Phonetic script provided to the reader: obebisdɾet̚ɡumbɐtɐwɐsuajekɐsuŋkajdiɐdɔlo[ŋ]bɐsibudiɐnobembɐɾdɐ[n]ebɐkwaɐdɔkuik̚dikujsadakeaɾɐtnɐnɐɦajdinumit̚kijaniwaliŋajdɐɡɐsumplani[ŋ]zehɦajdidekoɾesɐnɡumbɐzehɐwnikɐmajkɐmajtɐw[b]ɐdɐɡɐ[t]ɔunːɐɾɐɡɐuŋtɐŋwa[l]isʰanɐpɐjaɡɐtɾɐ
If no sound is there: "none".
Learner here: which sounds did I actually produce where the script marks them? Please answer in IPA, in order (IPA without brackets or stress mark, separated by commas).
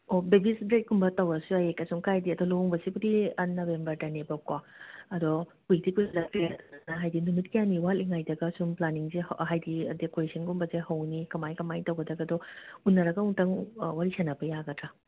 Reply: ŋ, n, ŋ, ɡ, d, ɾ